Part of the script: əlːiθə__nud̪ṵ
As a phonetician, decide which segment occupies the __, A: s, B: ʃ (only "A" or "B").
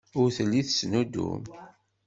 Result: A